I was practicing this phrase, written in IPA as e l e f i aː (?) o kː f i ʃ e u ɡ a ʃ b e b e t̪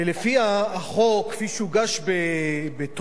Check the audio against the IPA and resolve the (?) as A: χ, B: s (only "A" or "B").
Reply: A